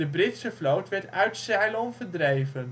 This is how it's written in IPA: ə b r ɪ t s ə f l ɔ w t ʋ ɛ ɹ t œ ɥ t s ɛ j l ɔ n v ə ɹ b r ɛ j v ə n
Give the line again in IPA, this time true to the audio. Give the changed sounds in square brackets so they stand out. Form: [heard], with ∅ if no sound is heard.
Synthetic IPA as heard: ə b r ɪ t s ə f l [o] w t ʋ ɛ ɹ t œ ɥ t s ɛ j l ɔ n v ə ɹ [d] r [e] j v ə n